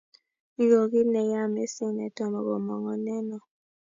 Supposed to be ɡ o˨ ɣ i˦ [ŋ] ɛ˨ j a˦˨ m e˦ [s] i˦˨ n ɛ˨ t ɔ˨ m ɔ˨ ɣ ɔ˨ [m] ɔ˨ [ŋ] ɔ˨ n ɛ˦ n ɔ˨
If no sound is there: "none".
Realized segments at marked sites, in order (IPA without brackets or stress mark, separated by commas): n, s, m, ŋ